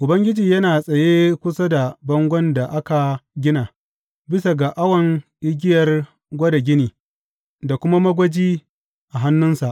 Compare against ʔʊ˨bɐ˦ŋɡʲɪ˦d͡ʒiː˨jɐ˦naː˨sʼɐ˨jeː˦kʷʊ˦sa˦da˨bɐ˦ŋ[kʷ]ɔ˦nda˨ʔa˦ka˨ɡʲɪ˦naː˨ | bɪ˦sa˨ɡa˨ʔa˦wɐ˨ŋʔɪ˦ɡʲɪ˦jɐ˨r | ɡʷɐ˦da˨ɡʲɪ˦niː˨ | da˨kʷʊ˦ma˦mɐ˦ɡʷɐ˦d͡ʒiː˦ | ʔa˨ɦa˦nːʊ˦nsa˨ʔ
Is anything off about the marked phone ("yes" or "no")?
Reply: yes